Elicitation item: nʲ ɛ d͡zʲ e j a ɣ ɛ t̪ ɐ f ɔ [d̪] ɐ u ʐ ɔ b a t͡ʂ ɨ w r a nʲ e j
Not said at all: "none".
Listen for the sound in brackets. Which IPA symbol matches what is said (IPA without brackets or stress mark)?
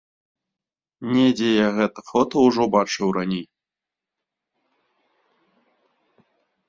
t̪